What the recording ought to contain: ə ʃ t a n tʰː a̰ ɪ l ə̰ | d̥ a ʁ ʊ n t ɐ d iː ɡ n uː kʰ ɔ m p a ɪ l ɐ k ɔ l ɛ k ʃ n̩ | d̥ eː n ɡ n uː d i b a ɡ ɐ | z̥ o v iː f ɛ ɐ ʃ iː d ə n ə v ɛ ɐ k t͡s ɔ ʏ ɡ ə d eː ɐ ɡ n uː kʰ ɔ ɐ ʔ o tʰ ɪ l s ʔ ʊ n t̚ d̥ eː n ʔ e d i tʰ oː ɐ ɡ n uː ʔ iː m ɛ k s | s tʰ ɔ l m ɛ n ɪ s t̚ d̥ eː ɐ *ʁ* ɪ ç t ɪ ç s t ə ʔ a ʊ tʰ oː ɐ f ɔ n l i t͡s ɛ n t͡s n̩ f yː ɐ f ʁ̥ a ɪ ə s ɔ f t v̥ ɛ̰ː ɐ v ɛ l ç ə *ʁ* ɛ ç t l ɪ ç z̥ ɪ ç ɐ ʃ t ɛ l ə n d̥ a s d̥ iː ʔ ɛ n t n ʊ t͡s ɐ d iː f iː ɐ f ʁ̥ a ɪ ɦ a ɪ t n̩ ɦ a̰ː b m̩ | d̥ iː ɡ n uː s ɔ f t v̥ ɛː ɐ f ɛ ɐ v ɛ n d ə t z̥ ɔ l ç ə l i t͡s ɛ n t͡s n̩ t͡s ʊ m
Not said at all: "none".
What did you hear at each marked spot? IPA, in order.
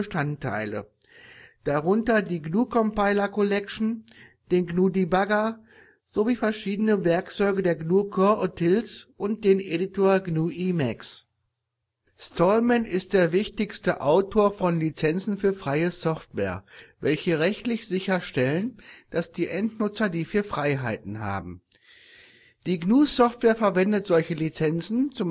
v, ʁ

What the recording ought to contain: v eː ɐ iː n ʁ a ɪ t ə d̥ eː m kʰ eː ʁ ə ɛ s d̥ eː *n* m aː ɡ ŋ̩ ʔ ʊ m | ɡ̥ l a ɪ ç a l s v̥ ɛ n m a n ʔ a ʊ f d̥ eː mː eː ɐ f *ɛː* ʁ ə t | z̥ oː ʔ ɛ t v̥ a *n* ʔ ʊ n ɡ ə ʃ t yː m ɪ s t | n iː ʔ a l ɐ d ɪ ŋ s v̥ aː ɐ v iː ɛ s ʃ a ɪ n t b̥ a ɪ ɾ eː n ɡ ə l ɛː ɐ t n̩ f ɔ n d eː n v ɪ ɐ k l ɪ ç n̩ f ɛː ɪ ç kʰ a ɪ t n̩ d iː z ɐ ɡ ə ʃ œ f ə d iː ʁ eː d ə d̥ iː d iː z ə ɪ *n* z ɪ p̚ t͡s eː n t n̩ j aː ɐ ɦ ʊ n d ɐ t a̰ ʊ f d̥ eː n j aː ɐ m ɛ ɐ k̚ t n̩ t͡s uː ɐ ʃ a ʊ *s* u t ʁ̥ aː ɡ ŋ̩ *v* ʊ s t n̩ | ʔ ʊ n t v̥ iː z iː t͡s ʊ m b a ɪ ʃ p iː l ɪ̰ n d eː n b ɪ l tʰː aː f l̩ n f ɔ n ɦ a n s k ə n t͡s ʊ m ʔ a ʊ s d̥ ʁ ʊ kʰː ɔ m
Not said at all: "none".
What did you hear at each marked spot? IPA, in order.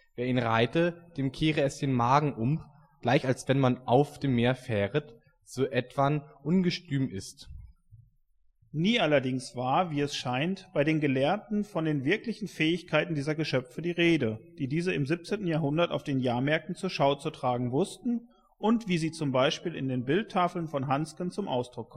n, ɛː, n, m, t͡s, v

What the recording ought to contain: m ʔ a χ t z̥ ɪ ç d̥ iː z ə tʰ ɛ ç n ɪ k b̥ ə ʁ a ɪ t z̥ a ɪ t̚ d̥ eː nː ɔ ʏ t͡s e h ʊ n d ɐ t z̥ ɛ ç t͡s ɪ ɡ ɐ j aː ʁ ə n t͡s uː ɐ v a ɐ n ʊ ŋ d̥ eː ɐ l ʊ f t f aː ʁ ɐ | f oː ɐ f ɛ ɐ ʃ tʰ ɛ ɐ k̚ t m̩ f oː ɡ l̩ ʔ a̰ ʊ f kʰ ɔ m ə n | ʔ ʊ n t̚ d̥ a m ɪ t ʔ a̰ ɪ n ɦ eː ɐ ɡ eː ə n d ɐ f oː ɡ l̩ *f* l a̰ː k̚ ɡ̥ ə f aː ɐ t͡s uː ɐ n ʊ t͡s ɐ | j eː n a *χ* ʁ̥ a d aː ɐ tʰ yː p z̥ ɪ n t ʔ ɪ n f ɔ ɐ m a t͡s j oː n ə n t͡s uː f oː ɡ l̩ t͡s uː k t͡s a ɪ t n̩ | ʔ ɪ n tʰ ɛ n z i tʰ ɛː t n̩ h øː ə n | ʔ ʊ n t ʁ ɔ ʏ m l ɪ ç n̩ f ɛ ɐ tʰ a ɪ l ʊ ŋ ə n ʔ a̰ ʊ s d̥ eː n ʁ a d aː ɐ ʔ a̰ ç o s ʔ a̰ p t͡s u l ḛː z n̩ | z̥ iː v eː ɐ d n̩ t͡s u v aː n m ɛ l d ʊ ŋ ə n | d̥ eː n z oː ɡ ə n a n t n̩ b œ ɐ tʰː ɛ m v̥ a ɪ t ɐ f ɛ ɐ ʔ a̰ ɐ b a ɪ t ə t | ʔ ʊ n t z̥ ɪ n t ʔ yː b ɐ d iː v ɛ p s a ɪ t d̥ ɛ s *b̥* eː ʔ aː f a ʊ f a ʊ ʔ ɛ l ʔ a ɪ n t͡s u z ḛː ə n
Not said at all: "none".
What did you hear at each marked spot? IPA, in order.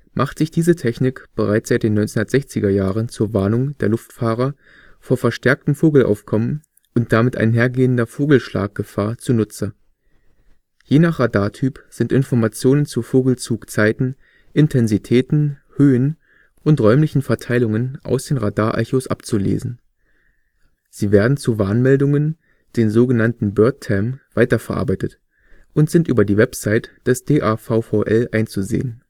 ʃ, χ, d̥

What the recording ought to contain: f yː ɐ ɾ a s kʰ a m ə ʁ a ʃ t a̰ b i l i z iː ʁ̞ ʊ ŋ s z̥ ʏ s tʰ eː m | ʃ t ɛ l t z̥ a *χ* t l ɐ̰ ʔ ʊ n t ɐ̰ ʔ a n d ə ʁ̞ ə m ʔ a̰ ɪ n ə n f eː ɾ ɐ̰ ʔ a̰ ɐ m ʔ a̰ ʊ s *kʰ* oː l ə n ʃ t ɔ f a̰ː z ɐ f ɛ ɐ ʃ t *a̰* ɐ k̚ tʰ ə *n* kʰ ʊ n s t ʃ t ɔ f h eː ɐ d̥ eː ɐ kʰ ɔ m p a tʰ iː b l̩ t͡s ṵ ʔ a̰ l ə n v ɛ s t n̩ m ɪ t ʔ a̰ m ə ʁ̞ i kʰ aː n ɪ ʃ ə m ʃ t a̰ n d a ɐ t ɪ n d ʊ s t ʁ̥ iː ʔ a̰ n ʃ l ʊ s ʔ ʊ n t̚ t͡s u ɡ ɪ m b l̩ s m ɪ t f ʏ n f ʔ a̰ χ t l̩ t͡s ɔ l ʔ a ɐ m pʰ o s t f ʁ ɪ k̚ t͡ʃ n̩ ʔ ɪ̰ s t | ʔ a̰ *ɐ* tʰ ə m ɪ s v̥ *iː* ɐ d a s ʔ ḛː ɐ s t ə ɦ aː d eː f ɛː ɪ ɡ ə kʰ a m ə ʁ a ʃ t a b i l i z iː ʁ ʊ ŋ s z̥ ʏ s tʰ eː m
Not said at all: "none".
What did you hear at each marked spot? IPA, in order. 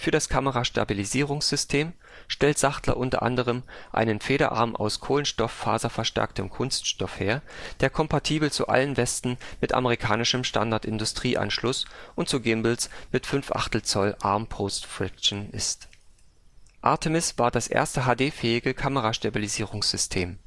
χ, kʰ, ɛ̰, m, ɐ, aː

